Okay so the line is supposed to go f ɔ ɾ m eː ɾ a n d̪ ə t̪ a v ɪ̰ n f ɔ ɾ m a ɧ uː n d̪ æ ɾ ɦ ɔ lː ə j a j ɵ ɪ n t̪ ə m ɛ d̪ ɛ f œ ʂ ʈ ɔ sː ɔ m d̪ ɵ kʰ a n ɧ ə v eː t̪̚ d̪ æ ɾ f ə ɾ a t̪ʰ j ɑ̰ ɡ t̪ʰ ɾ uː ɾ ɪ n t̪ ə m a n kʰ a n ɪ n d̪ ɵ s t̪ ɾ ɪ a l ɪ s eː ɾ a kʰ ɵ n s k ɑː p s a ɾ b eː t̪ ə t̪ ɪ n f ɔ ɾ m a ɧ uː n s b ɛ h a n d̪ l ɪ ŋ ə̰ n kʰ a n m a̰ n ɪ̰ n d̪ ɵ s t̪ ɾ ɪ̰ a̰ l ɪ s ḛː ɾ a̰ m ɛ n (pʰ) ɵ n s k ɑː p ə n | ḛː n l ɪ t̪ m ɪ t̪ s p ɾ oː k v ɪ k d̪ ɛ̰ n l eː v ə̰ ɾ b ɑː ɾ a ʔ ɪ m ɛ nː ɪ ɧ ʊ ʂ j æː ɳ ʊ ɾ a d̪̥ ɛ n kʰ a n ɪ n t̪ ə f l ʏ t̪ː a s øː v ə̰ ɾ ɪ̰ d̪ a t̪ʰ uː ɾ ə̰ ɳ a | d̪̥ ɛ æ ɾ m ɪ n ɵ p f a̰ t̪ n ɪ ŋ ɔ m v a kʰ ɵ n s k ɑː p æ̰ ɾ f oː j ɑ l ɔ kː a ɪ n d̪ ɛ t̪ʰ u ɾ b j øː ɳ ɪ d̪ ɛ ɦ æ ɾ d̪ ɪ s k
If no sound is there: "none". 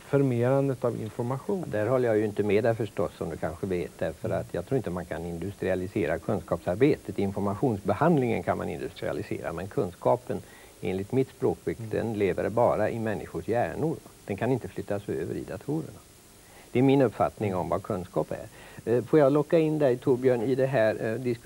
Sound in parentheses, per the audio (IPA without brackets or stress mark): kʰ